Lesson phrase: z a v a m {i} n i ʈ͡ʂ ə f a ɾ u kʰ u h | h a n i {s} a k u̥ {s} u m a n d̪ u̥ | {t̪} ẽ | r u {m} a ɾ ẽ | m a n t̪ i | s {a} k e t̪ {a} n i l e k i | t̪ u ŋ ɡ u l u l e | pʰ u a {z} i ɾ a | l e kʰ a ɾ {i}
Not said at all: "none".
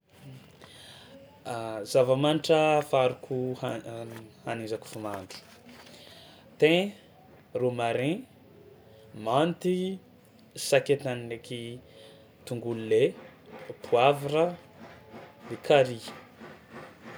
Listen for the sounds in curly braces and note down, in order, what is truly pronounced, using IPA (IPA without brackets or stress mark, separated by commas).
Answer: a, z, f, t̪, m, a, a, v, i